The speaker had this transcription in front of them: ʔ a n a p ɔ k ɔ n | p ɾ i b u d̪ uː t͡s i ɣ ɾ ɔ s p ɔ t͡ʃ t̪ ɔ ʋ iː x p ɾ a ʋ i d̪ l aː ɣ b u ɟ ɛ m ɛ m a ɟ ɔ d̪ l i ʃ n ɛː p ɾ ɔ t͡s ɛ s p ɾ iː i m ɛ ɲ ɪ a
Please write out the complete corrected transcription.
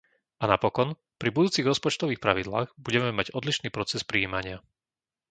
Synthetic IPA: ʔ a n a p ɔ k ɔ n | p ɾ i b u d̪ uː t͡s i ɣ ɾ ɔ s p ɔ t͡ʃ t̪ ɔ ʋ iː x p ɾ a ʋ i d̪ l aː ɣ b u ɟ ɛ m ɛ m a ɟ ɔ d̪ l i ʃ n iː p ɾ ɔ t͡s ɛ s p ɾ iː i m a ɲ ɪ a